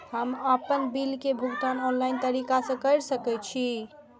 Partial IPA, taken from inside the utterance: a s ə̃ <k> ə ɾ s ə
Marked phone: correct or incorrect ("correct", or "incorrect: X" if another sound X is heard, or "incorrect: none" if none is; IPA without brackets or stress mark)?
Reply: correct